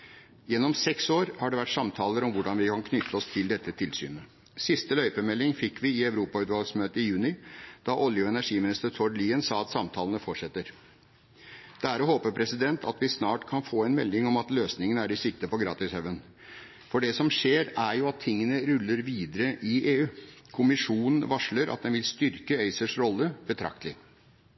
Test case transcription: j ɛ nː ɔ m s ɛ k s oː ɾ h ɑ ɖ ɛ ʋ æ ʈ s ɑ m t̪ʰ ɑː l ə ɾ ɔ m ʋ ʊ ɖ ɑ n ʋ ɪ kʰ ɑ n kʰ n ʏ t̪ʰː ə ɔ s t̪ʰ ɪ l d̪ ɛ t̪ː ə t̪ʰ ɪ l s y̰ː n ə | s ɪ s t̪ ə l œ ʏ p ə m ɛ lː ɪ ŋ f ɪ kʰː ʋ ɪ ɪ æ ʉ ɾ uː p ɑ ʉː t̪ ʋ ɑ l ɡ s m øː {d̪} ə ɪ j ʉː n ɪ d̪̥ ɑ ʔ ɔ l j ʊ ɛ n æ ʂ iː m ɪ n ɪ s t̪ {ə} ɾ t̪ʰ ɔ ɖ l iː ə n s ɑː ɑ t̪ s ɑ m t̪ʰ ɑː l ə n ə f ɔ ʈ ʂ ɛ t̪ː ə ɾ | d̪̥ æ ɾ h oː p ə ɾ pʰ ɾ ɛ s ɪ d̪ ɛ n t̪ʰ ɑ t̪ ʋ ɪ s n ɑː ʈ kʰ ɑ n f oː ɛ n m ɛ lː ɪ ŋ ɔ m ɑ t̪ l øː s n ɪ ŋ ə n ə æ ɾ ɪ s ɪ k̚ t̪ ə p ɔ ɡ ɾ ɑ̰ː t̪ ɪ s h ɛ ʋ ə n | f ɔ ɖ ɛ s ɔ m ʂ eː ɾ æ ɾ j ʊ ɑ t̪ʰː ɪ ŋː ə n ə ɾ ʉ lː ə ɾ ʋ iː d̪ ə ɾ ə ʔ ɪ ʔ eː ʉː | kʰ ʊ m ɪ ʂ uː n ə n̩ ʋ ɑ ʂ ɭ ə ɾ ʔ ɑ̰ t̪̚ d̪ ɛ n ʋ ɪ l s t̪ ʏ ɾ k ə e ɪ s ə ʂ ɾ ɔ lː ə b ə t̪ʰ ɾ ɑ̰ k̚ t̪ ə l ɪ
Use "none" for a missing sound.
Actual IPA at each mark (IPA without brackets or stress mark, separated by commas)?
t̪, ə